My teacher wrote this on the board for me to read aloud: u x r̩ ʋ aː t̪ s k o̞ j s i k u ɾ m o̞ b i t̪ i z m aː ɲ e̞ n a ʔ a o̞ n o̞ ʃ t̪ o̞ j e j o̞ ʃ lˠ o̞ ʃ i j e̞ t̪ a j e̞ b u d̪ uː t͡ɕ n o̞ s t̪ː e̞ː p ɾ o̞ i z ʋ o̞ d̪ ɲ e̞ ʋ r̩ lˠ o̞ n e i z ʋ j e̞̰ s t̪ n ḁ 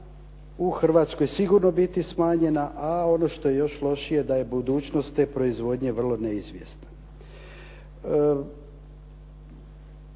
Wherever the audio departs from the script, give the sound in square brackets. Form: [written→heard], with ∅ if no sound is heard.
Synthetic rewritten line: u x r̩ ʋ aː t̪ s k o̞ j s i [k→ɡ] u ɾ [m→n] o̞ b i t̪ i [z→s] m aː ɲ e̞ n a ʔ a o̞ n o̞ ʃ t̪ o̞ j e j o̞ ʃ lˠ o̞ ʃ i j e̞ [t̪→d̪] a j e̞ b u d̪ uː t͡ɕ n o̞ s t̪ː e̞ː p ɾ o̞ i z ʋ o̞ d̪ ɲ e̞ ʋ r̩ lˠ o̞ n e i z ʋ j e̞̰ s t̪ n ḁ

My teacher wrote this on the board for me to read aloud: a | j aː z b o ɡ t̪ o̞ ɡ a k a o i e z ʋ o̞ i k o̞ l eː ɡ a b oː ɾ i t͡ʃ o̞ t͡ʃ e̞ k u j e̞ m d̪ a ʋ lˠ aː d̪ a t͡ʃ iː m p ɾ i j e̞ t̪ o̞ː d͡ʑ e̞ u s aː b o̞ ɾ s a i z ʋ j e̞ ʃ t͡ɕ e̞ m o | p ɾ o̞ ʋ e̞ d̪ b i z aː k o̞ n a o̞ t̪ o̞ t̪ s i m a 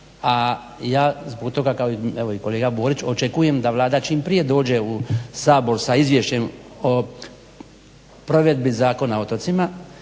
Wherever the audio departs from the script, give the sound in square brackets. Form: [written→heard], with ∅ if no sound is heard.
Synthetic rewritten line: a | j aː z b o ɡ t̪ o̞ ɡ a k a o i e [z→∅] ʋ o̞ i k o̞ l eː ɡ a b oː ɾ i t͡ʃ o̞ t͡ʃ e̞ k u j e̞ m d̪ a ʋ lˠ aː d̪ a t͡ʃ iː m p ɾ i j e̞ [t̪→d̪] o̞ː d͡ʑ e̞ u s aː b o̞ ɾ s a i z ʋ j e̞ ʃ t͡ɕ e̞ m o | p ɾ o̞ ʋ e̞ d̪ b i z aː k o̞ n a o̞ t̪ o̞ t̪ s i m a

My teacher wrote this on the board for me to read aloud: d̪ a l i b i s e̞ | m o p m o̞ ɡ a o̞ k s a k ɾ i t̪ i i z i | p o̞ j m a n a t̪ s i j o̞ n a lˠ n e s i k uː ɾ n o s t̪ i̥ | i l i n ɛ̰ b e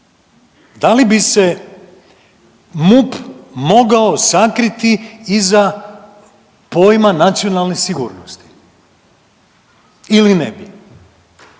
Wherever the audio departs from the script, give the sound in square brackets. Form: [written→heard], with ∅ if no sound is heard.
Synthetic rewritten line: d̪ a l i b i s e̞ | m [o→u] p m o̞ ɡ a o̞ [k→∅] s a k ɾ i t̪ i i z [i→a] | p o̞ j m a n a t̪ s i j o̞ n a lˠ n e s i [k→ɡ] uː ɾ n o s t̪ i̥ | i l i n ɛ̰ b [e→i]

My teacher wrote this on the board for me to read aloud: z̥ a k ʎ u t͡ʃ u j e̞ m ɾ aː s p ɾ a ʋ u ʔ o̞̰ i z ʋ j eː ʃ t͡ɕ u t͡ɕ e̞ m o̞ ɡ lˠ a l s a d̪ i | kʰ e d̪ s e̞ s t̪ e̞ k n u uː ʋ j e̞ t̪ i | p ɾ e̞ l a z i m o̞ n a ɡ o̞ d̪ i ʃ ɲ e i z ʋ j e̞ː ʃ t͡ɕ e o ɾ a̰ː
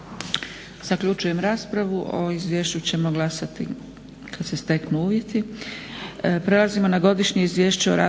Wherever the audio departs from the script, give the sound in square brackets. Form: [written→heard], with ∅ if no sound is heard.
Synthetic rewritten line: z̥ a k ʎ u t͡ʃ u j e̞ m ɾ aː s p ɾ a ʋ u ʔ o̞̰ i z ʋ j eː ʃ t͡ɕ u t͡ɕ e̞ m o̞ ɡ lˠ a [l→∅] s a [d̪→t̪] i | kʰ [e→a] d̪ s e̞ s t̪ e̞ k n u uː ʋ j e̞ t̪ i | p ɾ e̞ l a z i m o̞ n a ɡ o̞ d̪ i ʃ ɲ e i z ʋ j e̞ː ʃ t͡ɕ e o ɾ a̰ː

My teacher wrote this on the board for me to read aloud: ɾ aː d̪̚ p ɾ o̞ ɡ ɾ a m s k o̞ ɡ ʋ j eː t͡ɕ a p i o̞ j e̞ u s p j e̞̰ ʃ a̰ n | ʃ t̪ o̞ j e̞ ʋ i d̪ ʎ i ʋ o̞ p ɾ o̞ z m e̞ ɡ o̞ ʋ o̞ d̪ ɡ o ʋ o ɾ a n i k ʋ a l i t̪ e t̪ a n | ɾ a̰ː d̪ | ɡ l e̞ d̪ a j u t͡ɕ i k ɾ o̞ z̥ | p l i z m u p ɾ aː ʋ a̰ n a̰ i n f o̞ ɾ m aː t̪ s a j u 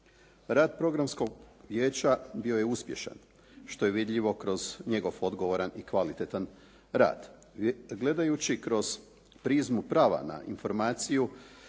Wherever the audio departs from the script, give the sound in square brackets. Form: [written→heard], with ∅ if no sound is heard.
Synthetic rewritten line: ɾ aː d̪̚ p ɾ o̞ ɡ ɾ a m s k o̞ ɡ ʋ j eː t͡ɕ a [p→b] i o̞ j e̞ u s p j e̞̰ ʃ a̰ n | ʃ t̪ o̞ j e̞ ʋ i d̪ ʎ i ʋ o̞ [p→k] ɾ o̞ z [m→ɲ] e̞ ɡ o̞ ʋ o̞ d̪ ɡ o ʋ o ɾ a n i k ʋ a l i t̪ e t̪ a n | ɾ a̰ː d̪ | ɡ l e̞ d̪ a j u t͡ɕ i k ɾ o̞ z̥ | p [l→ɾ] i z m u p ɾ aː ʋ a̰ n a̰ i n f o̞ ɾ m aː t̪ s [a→i] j u

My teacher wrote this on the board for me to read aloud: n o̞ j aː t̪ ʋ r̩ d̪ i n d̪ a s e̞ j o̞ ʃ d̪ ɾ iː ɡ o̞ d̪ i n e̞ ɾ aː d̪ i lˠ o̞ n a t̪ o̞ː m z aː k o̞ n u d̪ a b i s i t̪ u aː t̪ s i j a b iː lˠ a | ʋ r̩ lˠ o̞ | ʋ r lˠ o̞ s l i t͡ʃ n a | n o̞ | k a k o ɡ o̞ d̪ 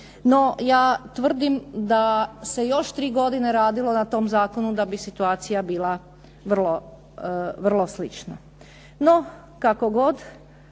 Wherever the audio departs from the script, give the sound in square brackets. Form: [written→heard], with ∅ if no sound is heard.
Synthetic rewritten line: n o̞ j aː t̪ ʋ r̩ d̪ i [n→m] d̪ a s e̞ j o̞ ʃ [d̪→t̪] ɾ iː ɡ o̞ d̪ i n e̞ ɾ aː d̪ i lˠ o̞ n a t̪ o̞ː m z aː k o̞ n u d̪ a b i s i t̪ u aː t̪ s i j a b iː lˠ a | ʋ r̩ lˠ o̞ | ʋ r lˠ o̞ s l i t͡ʃ n a | n o̞ | k a k o ɡ o̞ d̪

